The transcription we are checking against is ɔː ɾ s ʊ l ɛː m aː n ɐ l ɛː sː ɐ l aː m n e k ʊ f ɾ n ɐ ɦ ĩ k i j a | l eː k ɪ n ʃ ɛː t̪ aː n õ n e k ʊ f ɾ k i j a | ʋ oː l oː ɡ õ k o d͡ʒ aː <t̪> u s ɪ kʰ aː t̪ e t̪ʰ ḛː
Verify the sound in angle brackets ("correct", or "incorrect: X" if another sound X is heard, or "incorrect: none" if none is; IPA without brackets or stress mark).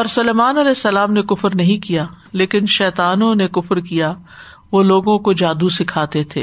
incorrect: d̪